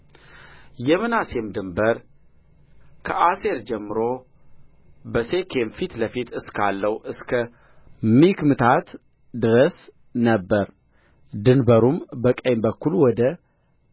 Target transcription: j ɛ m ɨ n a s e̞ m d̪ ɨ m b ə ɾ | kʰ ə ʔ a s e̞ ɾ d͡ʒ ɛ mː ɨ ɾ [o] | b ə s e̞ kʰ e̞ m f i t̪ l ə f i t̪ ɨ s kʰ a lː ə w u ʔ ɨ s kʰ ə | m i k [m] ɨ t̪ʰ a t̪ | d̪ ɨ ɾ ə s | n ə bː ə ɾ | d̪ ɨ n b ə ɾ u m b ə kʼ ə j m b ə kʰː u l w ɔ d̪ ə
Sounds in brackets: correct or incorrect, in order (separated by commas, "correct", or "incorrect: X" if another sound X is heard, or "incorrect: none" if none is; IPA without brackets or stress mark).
correct, correct